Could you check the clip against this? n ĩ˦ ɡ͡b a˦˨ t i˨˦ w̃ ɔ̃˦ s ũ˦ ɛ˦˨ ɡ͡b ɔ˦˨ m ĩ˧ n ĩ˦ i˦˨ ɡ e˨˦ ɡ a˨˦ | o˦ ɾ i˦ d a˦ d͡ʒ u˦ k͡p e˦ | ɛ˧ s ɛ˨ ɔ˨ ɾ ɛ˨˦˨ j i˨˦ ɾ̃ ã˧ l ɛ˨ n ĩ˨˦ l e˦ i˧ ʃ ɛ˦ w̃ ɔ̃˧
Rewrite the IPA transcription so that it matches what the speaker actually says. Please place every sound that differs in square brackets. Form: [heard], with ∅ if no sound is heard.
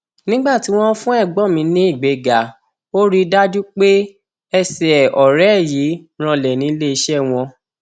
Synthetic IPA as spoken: n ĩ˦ ɡ͡b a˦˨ t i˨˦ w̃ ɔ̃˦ [f] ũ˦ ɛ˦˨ ɡ͡b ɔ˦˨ m ĩ˧ n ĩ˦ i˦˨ [ɡ͡b] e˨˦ ɡ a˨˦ | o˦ ɾ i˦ d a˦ d͡ʒ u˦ k͡p e˦ | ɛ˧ s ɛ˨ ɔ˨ ɾ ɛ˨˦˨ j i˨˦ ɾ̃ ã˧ l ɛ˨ n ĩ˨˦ l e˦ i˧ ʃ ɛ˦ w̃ ɔ̃˧